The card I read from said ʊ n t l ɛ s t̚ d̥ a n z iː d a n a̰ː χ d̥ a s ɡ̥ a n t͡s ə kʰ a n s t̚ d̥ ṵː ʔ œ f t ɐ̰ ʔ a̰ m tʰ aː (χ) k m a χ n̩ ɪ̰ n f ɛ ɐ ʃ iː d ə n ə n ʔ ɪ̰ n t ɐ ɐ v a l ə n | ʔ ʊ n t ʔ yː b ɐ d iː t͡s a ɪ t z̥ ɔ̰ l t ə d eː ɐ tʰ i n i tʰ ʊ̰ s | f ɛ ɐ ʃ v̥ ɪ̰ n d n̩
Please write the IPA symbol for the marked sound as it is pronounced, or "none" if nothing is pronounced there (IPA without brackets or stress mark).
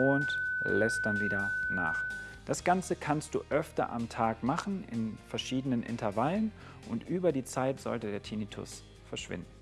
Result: none